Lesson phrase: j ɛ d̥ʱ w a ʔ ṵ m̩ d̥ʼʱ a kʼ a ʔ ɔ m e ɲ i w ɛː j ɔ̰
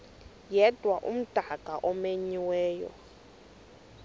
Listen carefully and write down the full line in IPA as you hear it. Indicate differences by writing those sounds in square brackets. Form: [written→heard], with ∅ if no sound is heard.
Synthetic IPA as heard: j ɛ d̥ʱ w a ʔ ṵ m̩ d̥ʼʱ a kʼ a ʔ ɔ m e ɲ i w ɛː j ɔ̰